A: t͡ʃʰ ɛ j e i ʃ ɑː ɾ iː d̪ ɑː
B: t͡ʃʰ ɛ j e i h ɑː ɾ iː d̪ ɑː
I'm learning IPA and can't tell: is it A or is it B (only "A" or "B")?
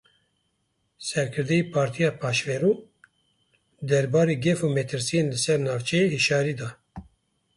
A